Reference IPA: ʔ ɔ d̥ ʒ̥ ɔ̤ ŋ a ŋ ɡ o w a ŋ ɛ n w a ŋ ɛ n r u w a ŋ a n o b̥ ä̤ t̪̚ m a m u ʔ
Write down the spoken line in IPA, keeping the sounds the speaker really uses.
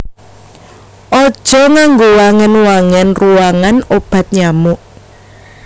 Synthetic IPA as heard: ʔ ɔ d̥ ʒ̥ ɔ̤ ŋ a ŋ ɡ o w a ŋ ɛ n w a ŋ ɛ n r u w a ŋ a n o b̥ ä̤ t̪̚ ɲ a m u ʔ